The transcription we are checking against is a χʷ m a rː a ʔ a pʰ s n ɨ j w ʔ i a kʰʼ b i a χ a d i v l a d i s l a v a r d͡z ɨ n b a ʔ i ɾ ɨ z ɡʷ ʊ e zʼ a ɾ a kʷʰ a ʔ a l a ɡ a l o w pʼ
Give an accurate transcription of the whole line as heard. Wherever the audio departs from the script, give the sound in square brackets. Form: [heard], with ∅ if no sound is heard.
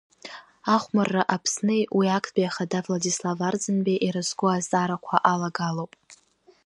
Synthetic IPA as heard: a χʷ m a rː a ʔ a pʰ s n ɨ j w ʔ i a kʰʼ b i a χ a d [a] v l a d i s l a v a r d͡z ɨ n b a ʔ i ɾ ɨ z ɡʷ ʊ [a] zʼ a ɾ a kʷʰ a ʔ a l a ɡ a l o w pʼ

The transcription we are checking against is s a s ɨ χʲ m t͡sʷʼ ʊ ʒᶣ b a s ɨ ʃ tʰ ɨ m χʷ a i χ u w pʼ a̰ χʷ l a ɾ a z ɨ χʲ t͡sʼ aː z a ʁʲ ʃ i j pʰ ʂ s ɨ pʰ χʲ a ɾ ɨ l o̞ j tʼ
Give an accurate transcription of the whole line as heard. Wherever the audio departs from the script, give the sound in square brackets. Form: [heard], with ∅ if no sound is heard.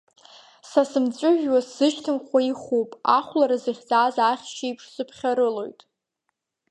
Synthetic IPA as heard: s a s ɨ [∅] m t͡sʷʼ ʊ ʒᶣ [w] a s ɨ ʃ tʰ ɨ m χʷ a i χ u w pʼ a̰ χʷ l a ɾ a z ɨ χʲ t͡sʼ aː z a [χʲ] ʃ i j pʰ ʂ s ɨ pʰ χʲ a ɾ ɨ l o̞ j tʼ

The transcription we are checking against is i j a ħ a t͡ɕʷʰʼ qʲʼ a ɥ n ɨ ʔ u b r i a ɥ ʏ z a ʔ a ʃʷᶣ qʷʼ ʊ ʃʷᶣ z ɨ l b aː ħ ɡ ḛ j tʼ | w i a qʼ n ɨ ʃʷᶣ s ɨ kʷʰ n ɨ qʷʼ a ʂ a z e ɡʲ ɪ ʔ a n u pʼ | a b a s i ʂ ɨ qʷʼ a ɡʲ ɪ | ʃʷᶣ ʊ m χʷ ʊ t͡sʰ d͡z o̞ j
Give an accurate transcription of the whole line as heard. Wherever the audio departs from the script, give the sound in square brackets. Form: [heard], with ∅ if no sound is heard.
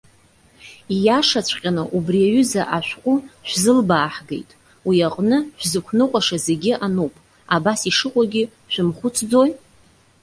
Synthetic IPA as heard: i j a [ʂ] a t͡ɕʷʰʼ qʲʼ a [∅] n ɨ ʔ u b r i a ɥ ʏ z a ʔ a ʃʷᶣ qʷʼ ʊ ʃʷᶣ z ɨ l b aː ħ ɡ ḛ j tʼ | w i a qʼ n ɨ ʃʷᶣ [z] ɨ kʷʰ n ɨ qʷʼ a ʂ a z e ɡʲ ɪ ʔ a n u pʼ | a b a s i ʂ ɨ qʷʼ a ɡʲ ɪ | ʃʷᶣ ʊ m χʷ ʊ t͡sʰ d͡z o̞ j

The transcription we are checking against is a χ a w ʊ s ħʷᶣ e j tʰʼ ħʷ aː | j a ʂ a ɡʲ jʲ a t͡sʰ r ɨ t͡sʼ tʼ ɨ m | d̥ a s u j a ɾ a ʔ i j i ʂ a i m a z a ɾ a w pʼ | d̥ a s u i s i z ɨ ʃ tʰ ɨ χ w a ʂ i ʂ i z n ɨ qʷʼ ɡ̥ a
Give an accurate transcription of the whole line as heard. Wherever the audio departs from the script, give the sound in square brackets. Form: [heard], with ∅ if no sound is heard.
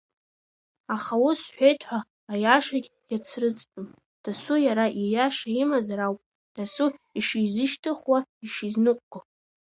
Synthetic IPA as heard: a χ a w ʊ s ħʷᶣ e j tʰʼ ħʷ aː | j a ʂ a ɡʲ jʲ a t͡sʰ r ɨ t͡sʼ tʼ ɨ m | d̥ a s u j a ɾ a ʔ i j [a] ʂ a i m a z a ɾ a w pʼ | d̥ a s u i [ʂ] i z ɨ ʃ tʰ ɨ χ w a [∅] i ʂ i z n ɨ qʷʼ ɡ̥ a

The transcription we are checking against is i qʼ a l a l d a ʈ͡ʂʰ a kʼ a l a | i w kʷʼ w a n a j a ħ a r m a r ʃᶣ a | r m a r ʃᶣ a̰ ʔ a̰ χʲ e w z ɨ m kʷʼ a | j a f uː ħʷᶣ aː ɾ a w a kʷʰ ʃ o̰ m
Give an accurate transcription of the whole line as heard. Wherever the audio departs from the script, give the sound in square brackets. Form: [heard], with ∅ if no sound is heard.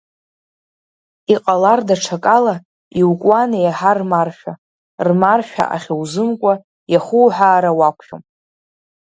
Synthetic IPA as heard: i qʼ a l a [r] d a ʈ͡ʂʰ a kʼ a l a | i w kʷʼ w a n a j a ħ a r m a r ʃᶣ a | r m a r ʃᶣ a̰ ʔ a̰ χʲ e w z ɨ m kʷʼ a | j a [χ] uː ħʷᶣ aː ɾ a w a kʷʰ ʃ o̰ m

